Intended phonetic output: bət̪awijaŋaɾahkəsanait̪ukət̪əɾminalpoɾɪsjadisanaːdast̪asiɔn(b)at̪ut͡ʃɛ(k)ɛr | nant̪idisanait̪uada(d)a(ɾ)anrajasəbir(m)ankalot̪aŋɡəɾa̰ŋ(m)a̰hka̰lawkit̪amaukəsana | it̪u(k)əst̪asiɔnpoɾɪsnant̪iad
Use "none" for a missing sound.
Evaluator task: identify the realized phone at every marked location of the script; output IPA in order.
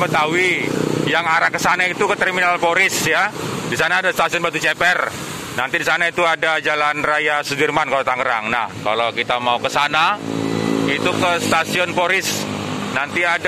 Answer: b, p, d͡ʒ, l, m, n, k

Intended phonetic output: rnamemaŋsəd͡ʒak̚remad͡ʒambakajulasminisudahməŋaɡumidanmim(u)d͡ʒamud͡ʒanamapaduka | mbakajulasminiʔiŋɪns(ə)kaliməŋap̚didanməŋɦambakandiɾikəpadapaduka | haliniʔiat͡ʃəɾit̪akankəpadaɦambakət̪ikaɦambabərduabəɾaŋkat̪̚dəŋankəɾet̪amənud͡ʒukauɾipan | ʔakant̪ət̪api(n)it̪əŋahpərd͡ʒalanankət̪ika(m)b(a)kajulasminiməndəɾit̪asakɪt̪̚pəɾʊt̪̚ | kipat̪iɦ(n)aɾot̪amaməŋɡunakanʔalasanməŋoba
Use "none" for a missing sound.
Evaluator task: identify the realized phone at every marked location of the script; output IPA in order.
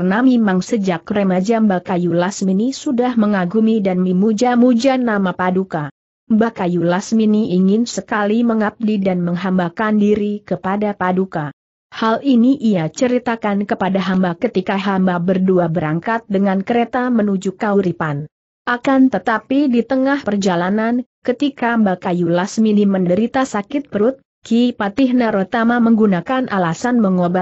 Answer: u, ə, d, m, a, n

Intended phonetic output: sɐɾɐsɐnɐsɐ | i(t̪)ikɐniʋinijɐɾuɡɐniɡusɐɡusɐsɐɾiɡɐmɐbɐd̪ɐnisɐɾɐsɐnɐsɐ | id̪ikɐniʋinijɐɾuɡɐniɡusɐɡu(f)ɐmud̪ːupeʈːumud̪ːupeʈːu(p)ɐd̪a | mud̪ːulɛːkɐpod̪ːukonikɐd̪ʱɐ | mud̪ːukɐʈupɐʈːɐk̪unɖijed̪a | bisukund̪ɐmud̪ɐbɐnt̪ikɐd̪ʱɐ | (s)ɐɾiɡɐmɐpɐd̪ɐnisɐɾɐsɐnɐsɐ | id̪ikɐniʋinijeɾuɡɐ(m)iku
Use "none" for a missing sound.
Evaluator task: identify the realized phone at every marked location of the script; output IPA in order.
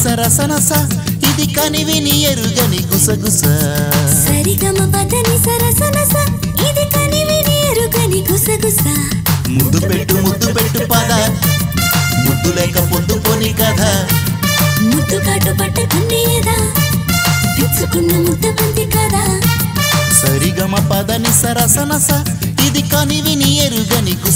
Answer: d̪, s, p, s, n

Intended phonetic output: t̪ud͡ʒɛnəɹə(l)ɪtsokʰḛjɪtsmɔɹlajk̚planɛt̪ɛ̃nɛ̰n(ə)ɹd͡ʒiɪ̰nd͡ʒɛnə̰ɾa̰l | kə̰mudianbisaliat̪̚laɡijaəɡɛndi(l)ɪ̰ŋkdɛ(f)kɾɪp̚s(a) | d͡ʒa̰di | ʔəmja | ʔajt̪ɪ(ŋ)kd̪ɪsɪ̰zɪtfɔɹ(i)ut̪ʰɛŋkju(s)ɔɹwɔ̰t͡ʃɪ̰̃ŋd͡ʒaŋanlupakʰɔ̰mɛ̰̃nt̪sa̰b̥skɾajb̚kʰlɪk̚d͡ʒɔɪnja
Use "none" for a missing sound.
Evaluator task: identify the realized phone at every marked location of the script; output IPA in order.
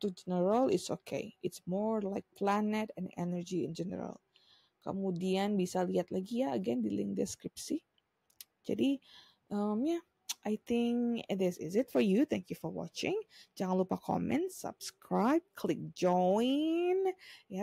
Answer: l, ə, l, s, i, ŋ, j, f

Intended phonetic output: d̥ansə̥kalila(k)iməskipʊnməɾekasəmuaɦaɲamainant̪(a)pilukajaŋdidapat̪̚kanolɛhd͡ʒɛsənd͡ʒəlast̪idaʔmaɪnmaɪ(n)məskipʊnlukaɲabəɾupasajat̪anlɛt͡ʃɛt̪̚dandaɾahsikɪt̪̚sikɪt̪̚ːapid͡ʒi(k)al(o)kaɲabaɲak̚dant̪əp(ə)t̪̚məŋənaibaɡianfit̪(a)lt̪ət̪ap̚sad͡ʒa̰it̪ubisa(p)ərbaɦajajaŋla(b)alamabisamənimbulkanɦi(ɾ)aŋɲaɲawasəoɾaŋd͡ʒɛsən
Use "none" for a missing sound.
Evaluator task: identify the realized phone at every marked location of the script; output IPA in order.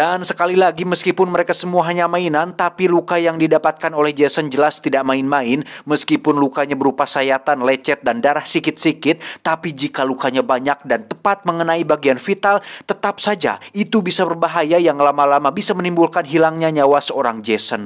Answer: ɡ, a, n, k, u, a, a, b, m, l

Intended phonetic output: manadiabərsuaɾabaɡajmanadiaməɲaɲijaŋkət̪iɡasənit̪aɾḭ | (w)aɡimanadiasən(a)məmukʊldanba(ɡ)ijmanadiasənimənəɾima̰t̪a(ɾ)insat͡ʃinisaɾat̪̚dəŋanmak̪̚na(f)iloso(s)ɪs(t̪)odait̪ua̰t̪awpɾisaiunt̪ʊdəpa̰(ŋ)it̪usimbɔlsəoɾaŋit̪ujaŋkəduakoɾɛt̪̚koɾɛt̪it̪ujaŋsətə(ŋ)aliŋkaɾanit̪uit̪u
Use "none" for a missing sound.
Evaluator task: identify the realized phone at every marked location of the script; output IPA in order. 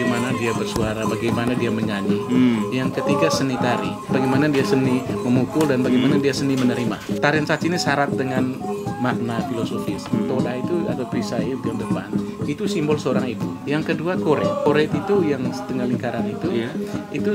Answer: b, i, ɡ, ɾ, f, f, t̪, n, ŋ

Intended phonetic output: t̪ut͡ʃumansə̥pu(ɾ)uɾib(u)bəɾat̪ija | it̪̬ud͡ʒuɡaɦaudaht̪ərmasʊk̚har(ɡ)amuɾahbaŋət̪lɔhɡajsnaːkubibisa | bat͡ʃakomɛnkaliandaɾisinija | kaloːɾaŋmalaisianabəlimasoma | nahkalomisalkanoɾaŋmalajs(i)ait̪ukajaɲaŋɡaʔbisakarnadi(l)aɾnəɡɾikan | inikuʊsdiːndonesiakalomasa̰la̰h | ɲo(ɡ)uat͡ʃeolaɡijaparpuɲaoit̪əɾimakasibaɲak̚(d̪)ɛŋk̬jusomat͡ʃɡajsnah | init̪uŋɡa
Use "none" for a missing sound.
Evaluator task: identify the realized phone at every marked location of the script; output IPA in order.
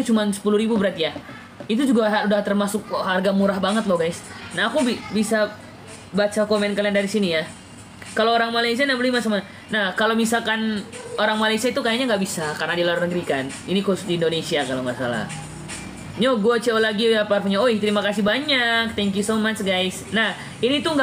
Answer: l, u, ɡ, i, l, ɡ, t̪

